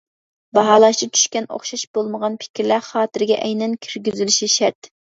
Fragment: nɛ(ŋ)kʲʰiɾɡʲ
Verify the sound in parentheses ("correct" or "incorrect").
incorrect